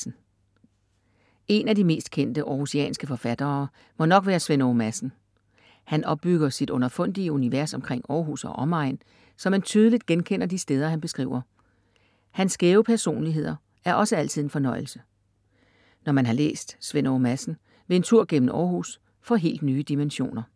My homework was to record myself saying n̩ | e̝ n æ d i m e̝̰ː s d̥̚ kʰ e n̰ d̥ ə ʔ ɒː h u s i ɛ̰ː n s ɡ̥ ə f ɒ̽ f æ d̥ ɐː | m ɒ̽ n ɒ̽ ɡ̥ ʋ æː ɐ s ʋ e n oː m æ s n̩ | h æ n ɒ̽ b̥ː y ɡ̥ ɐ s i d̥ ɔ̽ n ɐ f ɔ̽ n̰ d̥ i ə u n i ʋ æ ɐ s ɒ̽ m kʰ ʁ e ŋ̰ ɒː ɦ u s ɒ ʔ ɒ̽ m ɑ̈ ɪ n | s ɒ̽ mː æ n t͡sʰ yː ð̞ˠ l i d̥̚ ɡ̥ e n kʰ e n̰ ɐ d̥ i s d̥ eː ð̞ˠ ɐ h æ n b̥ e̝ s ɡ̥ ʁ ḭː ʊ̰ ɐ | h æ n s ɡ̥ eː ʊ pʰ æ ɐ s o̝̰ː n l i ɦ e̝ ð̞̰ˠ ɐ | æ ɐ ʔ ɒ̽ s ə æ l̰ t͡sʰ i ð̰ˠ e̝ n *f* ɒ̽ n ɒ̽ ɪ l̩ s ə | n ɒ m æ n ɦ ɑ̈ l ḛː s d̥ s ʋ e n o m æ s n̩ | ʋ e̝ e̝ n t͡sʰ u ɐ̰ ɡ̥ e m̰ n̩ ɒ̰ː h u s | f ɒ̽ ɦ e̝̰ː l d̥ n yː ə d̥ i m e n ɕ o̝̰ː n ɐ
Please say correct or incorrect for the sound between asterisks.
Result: correct